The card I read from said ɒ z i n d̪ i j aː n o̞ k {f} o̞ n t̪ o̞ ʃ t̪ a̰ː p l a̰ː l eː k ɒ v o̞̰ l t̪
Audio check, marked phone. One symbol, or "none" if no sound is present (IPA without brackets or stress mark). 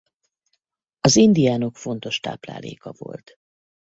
f